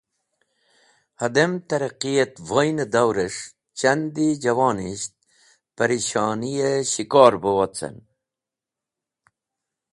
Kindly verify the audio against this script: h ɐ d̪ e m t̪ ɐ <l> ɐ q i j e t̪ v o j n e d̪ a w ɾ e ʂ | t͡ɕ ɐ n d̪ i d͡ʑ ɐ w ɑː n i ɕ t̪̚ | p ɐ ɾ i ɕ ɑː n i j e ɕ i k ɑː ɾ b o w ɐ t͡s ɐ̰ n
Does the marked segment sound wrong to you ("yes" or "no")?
yes